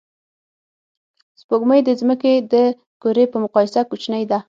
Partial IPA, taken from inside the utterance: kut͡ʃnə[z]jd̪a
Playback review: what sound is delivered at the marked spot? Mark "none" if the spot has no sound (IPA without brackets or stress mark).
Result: none